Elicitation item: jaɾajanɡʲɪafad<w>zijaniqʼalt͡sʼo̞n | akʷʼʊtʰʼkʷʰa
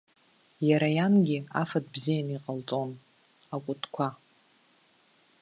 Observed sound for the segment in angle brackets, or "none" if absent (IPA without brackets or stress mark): b